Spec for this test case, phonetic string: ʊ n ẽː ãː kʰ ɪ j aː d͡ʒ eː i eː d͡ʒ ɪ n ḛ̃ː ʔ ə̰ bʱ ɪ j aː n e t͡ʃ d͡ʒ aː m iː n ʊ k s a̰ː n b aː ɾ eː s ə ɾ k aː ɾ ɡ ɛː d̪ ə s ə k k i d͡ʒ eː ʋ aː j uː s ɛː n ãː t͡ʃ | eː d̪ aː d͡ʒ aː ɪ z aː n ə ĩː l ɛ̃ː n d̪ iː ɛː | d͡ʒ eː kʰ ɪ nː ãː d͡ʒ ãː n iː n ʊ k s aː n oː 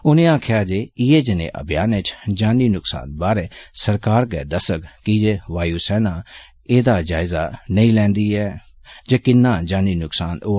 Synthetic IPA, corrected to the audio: ʊ n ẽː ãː kʰ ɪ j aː d͡ʒ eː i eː d͡ʒ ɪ n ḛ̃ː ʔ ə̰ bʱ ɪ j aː n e t͡ʃ d͡ʒ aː n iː n ʊ k s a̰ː n b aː ɾ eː s ə ɾ k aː ɾ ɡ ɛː d̪ ə s ə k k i d͡ʒ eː ʋ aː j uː s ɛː n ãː | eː d̪ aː d͡ʒ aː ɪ z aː n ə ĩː l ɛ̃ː n d̪ iː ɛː | d͡ʒ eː k ɪ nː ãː d͡ʒ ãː n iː n ʊ k s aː n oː